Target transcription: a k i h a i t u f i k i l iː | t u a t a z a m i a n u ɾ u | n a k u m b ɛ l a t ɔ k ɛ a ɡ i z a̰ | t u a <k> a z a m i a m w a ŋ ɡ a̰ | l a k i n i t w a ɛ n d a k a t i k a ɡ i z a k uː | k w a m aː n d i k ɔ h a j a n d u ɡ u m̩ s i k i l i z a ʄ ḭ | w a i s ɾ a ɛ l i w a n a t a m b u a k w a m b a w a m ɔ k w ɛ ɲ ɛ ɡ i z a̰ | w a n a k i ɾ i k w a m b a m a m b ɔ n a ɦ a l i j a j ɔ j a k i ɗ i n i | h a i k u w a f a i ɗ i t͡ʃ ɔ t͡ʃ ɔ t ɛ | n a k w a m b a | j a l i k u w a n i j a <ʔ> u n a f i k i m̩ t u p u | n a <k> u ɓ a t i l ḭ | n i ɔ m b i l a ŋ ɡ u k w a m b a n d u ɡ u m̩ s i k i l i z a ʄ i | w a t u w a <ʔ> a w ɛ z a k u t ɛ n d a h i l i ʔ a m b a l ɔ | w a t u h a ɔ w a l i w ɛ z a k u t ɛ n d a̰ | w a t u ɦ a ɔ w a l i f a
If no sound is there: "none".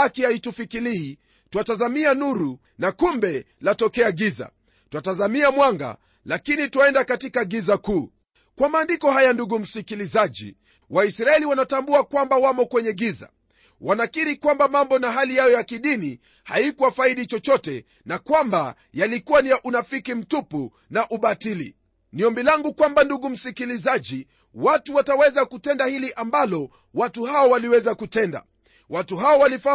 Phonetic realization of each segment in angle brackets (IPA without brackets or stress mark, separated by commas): t, ʔ, ʔ, t